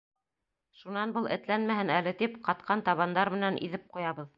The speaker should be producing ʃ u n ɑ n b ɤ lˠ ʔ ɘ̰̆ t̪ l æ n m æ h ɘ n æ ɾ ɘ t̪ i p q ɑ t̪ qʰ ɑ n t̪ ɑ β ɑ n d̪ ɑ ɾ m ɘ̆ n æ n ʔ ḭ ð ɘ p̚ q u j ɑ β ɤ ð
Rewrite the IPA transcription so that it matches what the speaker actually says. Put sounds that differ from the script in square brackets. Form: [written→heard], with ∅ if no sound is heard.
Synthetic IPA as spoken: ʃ u n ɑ n b ɤ lˠ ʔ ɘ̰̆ t̪ l æ n m æ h ɘ n æ [ɾ→l] ɘ t̪ i p q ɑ t̪ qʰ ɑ n t̪ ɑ β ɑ n d̪ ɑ ɾ m ɘ̆ n æ n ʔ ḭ ð ɘ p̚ q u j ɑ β ɤ ð